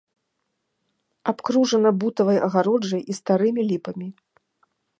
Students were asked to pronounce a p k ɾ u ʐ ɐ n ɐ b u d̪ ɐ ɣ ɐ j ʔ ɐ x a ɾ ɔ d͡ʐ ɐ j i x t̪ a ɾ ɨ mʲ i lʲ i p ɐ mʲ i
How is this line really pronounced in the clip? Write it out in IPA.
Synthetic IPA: a p k ɾ u ʐ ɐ n ɐ b u t̪ ɐ v ɐ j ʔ ɐ ɣ a ɾ ɔ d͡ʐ ɐ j i s t̪ a ɾ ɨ mʲ i lʲ i p ɐ mʲ i